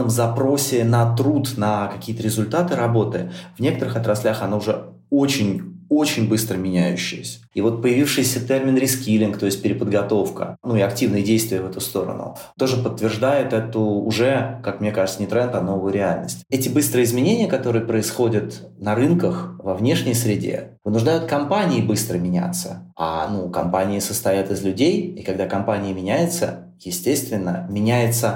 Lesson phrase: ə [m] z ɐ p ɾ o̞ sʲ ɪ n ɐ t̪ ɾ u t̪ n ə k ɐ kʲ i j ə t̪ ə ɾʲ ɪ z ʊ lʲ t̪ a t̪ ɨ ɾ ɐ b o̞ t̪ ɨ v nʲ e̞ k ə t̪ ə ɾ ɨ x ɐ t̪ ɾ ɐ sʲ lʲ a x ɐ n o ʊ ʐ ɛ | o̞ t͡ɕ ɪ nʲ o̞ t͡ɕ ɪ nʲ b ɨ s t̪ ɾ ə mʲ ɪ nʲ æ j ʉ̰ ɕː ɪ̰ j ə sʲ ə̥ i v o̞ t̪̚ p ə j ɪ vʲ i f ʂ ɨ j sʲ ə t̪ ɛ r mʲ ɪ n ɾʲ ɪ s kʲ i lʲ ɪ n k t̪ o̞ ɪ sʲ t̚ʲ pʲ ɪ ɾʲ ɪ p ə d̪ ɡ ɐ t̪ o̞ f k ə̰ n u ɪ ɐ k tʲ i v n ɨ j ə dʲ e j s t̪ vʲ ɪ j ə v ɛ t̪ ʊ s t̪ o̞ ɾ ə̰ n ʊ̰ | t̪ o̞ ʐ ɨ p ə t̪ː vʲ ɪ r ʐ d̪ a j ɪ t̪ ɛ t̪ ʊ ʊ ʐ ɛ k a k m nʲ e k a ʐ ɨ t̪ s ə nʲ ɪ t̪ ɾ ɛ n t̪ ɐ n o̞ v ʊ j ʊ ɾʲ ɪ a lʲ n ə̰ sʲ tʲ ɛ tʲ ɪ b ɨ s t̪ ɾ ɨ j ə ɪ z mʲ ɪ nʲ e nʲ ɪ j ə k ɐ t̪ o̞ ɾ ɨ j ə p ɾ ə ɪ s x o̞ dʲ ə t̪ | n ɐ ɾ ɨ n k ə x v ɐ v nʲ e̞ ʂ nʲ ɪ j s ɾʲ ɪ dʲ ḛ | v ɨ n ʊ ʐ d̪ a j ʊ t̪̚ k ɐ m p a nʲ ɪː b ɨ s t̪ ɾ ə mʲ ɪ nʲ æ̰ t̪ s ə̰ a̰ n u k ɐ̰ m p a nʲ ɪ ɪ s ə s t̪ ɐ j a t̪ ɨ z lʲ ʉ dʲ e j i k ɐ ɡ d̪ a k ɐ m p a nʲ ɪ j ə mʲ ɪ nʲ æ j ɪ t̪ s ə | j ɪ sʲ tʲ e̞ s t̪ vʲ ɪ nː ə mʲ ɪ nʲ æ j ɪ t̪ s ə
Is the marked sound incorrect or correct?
correct